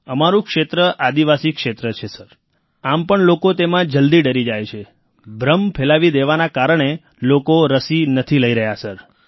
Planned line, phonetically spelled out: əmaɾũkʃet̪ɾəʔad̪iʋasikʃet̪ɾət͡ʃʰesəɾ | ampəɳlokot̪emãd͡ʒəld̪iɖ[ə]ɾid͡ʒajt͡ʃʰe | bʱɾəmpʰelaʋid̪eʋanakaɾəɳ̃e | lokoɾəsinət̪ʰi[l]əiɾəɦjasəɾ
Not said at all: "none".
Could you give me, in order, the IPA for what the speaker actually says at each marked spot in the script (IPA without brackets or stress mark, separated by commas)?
ə, l